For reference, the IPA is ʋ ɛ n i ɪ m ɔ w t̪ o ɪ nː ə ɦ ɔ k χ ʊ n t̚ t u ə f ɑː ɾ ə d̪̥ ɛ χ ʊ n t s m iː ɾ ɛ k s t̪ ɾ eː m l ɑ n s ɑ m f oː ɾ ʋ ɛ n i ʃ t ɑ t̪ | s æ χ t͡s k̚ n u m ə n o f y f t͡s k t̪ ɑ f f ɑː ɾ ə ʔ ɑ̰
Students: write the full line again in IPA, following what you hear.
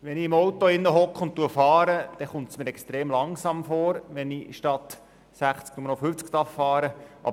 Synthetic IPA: ʋ ɛ n i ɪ m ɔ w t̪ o ɪ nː ə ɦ ɔ k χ ʊ n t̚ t u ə f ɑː ɾ ə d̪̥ ɛ χ ʊ n t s m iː ɾ ɛ k s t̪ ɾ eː m l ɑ ŋ s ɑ m f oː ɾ ʋ ɛ n i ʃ t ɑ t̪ | s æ χ t͡s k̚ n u m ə n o f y f t͡s k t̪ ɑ f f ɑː ɾ ə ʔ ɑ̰